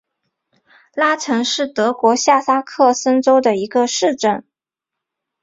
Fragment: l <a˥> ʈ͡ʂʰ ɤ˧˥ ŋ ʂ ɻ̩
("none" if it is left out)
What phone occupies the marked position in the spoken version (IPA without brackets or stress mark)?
a˥